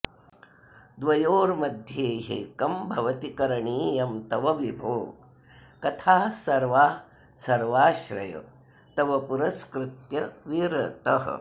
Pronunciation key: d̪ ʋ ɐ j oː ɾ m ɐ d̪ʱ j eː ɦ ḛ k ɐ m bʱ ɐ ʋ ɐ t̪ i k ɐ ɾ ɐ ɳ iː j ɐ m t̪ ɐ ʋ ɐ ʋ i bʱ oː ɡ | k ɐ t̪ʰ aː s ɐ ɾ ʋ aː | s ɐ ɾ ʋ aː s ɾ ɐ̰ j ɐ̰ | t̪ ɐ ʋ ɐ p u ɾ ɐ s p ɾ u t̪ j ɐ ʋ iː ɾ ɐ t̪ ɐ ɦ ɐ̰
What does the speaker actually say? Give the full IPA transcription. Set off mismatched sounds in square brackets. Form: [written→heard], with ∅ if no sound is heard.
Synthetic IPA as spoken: d̪ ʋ ɐ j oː ɾ m ɐ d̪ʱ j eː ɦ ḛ k ɐ m bʱ ɐ ʋ ɐ t̪ i k ɐ ɾ ɐ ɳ iː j ɐ m t̪ ɐ ʋ ɐ ʋ i bʱ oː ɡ | k ɐ t̪ʰ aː s ɐ ɾ ʋ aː | s ɐ ɾ ʋ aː [s→ʃ] ɾ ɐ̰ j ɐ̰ | t̪ ɐ ʋ ɐ p u ɾ ɐ s [p→k] ɾ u t̪ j ɐ ʋ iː ɾ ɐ t̪ ɐ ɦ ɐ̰